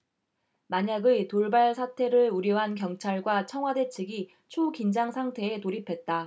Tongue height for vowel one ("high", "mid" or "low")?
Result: low